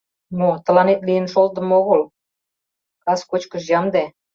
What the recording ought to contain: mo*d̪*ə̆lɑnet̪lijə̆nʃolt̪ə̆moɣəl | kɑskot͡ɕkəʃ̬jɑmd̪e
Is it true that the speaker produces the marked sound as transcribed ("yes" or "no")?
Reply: no